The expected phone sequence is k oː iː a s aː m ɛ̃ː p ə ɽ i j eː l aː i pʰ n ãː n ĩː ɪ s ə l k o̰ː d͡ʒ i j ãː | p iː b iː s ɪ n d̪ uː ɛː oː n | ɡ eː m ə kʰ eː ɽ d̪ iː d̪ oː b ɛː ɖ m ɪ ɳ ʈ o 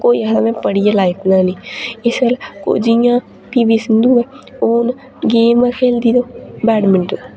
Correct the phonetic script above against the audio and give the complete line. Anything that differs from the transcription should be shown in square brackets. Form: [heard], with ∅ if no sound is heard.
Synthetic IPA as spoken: k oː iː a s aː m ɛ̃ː p ə ɽ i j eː l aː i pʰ n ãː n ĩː ɪ s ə l k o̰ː d͡ʒ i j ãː | p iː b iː s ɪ n d̪ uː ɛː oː n | ɡ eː m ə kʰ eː [l] d̪ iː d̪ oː b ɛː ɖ m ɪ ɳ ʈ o